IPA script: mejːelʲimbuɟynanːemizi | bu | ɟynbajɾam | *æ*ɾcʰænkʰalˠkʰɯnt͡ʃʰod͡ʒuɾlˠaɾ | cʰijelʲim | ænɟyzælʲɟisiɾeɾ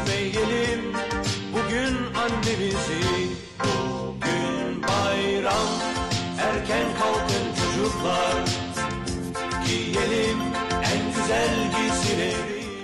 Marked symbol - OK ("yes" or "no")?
yes